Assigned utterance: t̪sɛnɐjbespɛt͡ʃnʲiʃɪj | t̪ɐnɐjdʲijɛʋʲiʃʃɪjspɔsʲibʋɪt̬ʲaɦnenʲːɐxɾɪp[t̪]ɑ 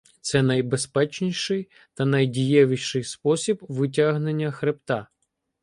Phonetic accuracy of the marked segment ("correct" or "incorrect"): correct